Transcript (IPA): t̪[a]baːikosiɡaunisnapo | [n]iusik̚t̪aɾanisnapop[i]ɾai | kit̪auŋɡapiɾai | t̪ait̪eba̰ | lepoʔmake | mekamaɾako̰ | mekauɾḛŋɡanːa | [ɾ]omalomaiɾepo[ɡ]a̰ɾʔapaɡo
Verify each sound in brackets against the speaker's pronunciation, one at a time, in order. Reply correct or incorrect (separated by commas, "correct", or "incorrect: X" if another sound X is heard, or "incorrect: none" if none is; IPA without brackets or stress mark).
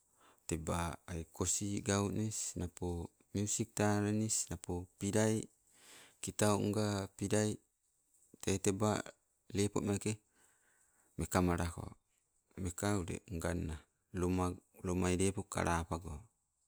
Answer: incorrect: e, incorrect: m, correct, incorrect: l, incorrect: k